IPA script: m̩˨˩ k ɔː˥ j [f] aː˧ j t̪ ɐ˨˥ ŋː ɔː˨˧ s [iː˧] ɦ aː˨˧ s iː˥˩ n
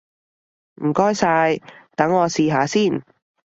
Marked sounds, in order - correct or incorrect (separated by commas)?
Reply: incorrect, correct